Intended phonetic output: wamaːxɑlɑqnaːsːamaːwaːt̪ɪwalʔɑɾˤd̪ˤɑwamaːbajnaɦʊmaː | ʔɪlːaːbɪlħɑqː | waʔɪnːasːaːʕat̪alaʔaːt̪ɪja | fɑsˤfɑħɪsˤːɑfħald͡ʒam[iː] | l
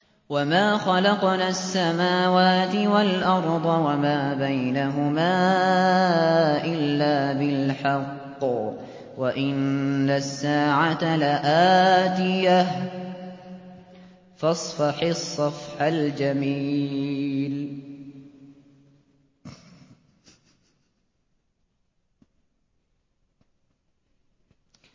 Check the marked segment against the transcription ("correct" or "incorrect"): correct